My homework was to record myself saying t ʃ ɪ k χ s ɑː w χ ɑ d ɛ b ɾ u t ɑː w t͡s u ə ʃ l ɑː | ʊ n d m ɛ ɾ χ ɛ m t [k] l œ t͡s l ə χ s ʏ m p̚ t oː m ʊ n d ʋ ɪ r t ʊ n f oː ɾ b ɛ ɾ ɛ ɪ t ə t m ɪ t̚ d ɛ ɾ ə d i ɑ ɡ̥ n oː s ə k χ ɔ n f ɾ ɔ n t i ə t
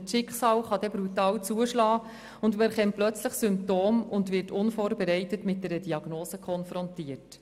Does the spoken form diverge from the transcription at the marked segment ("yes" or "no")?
yes